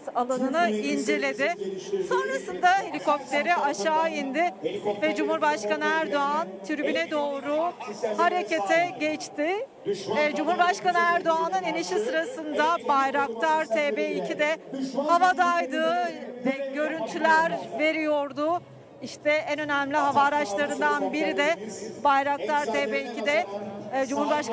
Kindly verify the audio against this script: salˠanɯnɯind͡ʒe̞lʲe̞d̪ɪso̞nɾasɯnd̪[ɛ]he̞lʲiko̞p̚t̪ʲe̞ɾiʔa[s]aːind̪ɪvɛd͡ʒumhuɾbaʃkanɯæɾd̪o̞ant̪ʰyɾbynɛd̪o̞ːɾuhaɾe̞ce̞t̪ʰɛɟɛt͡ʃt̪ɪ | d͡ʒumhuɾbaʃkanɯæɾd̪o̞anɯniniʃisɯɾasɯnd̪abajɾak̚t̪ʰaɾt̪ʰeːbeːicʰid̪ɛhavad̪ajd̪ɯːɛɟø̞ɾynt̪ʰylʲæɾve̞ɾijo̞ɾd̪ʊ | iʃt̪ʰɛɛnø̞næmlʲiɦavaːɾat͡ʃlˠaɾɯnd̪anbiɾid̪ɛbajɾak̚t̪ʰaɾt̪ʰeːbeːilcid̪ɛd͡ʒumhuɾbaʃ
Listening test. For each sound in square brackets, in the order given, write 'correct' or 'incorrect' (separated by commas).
incorrect, incorrect